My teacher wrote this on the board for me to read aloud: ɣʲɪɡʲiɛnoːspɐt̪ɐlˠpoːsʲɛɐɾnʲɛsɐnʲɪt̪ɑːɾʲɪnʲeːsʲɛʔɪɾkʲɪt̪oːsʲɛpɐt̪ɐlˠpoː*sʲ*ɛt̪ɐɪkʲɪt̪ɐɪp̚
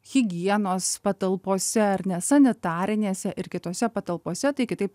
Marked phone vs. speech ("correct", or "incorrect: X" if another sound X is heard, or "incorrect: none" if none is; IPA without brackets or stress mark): correct